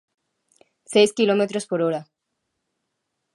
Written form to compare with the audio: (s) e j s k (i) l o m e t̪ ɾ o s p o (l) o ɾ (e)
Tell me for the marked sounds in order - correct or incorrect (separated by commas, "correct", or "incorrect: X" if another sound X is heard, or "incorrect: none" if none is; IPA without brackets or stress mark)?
correct, correct, incorrect: ɾ, incorrect: a